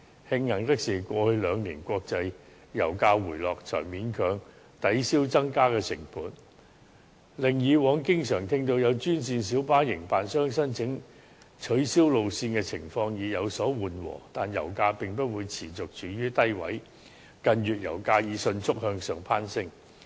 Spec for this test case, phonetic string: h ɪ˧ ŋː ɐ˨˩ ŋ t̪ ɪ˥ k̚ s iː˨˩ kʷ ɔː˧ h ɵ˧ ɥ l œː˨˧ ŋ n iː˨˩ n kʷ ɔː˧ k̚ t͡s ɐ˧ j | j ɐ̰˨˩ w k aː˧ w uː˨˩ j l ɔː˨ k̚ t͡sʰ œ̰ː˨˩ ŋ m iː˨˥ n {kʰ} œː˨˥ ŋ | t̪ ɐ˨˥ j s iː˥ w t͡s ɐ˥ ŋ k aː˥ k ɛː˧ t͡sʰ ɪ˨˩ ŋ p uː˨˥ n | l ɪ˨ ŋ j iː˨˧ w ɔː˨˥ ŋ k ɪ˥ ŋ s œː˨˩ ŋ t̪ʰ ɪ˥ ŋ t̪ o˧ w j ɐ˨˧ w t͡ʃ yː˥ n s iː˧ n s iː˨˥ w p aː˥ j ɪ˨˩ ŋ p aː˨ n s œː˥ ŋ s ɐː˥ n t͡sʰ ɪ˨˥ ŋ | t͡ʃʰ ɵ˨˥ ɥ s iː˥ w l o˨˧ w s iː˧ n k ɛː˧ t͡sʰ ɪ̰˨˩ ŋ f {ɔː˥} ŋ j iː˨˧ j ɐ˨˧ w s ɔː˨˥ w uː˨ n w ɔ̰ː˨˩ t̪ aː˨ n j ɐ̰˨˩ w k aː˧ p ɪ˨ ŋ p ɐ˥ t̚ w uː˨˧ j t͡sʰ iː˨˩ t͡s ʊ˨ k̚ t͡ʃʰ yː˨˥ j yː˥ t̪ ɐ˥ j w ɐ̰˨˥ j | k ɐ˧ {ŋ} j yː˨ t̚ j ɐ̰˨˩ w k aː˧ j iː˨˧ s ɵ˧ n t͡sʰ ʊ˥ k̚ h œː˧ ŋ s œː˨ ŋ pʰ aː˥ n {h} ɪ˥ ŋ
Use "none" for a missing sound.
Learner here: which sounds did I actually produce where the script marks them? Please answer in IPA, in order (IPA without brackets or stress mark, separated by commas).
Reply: kʰ, ɔː˧, n, s